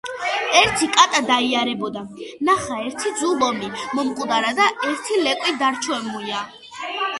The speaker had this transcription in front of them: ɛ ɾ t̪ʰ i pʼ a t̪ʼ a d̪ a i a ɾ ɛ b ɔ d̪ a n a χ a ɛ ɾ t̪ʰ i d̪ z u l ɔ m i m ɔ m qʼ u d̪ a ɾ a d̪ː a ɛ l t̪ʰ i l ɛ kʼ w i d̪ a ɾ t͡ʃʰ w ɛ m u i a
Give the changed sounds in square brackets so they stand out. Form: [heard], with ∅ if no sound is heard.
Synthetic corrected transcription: ɛ ɾ t̪ʰ i [kʼ] a t̪ʼ a d̪ a i a ɾ ɛ b ɔ d̪ a n a χ a ɛ ɾ t̪ʰ i d̪ z u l ɔ m i m ɔ m qʼ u d̪ a ɾ a [d̪] a ɛ [ɾ] t̪ʰ i l ɛ kʼ w i d̪ a ɾ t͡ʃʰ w ɛ m u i a